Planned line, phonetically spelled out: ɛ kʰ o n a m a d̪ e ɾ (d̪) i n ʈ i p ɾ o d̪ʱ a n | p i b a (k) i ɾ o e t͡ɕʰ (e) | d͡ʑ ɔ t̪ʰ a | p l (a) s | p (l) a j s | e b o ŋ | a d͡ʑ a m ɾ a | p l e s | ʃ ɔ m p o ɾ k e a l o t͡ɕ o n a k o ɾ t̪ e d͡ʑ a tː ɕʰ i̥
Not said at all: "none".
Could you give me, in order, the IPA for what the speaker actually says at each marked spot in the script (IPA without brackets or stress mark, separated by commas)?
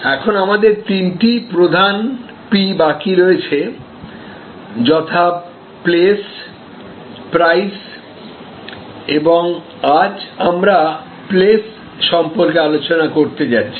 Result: t̪, k, e, e, ɾ